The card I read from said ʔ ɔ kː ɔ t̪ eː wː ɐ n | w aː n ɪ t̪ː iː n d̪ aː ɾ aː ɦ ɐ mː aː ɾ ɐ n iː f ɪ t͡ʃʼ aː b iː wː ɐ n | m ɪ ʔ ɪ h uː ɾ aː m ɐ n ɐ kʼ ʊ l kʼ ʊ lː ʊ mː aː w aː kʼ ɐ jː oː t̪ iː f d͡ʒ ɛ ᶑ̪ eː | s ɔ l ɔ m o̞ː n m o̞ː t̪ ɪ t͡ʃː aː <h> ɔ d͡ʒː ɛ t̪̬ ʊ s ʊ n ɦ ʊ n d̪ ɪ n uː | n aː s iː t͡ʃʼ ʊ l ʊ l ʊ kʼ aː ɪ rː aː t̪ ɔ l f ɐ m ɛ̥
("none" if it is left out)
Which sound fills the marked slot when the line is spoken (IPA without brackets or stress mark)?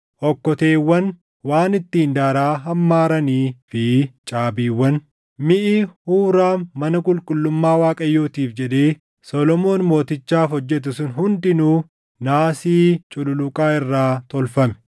f